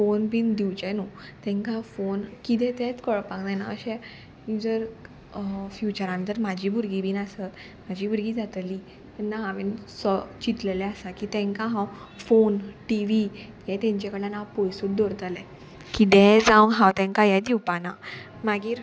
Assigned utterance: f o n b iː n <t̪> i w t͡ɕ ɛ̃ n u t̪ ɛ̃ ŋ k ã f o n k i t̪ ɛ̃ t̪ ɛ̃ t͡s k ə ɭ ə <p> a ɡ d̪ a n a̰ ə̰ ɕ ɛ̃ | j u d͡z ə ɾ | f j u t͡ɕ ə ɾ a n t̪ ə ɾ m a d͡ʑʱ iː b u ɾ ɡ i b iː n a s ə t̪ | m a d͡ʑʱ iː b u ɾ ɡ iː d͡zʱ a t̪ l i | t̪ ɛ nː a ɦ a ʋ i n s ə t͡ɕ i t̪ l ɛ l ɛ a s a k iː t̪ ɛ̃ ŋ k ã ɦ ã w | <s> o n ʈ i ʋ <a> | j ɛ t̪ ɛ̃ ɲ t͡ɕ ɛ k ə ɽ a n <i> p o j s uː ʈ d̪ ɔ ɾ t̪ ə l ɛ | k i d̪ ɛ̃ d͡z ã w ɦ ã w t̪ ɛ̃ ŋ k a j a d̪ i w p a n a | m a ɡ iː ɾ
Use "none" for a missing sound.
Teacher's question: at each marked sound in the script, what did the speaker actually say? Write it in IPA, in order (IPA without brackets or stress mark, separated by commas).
d̪, p, f, i, a